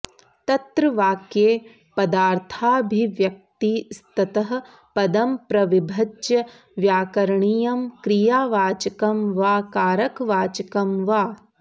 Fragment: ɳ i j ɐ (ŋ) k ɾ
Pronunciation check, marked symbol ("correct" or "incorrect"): incorrect